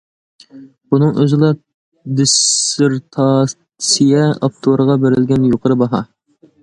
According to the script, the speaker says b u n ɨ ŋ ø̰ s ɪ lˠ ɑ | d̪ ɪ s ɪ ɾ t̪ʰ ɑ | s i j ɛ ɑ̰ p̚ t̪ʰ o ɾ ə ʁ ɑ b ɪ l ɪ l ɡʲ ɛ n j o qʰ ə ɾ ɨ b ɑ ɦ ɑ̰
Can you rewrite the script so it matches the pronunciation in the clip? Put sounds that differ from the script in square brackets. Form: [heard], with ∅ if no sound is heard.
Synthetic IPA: b u n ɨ ŋ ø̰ [z] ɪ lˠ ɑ | d̪ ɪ s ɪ ɾ t̪ʰ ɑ | s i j ɛ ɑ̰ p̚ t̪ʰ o ɾ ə ʁ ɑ b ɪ [ɾ] ɪ l ɡʲ ɛ n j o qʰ ə ɾ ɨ b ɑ ɦ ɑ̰